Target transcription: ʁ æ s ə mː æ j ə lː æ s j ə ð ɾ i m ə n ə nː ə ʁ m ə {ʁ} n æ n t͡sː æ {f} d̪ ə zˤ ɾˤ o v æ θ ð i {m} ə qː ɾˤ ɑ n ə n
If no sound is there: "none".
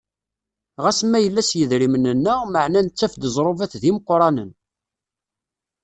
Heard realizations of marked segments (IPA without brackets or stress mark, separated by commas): ʕ, f, m